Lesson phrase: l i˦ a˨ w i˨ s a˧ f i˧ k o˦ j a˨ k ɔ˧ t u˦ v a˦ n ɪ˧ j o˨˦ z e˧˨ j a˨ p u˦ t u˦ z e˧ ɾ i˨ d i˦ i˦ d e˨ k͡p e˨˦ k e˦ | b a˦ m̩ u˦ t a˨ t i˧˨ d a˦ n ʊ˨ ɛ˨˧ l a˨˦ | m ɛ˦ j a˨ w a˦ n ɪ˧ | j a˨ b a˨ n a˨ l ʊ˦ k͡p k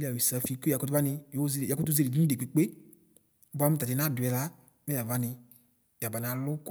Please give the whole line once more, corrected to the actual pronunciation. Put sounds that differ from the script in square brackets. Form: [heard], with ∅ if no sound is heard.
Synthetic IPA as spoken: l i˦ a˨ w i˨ s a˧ f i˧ k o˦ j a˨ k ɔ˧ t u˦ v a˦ n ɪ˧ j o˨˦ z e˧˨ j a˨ [k] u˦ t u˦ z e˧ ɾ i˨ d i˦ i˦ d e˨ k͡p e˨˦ [k͡p] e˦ | b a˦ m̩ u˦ t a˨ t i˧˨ [n] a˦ [d] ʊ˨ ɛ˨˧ l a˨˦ | m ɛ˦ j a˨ [v] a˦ n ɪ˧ | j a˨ b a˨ n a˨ l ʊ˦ [∅] k